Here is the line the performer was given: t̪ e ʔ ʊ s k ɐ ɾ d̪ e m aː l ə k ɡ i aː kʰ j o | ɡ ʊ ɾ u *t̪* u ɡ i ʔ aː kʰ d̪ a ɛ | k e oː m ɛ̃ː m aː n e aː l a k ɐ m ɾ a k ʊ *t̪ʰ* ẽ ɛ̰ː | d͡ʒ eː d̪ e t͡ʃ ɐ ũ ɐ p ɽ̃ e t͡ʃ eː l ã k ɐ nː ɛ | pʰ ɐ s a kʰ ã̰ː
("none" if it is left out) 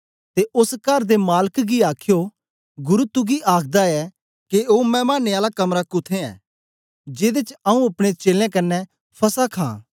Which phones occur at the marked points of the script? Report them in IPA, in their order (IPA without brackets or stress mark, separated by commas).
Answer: t̪, t̪ʰ